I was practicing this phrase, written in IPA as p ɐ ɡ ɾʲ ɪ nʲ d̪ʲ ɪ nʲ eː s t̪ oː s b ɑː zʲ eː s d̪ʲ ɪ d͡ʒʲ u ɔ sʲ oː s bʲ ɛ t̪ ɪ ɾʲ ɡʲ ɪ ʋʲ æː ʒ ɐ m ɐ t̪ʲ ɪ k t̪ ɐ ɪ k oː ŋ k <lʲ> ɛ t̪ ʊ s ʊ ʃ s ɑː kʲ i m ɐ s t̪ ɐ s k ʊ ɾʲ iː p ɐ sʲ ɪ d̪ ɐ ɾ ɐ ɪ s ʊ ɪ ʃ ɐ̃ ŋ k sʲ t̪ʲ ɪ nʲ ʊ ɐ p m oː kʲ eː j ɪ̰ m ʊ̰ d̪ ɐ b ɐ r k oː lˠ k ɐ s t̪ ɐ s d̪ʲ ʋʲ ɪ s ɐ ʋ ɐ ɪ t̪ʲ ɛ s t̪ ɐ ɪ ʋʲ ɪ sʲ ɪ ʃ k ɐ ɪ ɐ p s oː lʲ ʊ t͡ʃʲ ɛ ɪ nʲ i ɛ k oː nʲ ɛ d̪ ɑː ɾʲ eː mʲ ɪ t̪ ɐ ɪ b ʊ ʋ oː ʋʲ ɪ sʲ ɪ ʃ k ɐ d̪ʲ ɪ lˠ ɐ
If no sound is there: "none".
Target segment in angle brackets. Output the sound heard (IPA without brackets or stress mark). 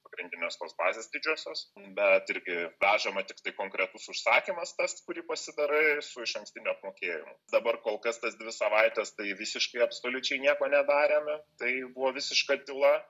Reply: ɾʲ